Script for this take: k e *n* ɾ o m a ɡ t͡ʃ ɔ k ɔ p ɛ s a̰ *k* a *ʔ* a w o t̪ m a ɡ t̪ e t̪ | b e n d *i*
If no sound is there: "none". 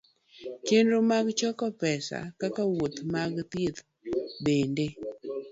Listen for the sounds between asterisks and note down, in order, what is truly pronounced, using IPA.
n, k, k, e

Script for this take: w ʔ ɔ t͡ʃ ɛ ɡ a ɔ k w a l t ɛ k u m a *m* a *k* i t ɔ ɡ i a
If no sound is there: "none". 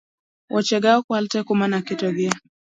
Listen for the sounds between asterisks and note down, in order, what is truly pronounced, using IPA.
n, k

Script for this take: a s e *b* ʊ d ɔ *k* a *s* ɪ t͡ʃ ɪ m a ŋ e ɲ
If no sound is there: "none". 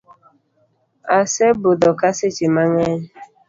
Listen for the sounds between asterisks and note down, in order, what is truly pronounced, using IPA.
b, k, s

